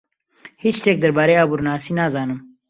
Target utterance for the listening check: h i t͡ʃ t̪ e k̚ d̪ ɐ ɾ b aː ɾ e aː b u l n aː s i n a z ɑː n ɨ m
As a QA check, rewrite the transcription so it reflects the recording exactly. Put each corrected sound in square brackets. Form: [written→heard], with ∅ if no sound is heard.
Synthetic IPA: h i t͡ʃ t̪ e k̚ d̪ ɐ ɾ b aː ɾ e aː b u [l→ɾ] n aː s i n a z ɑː n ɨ m